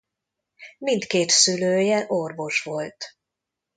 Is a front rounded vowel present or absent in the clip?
present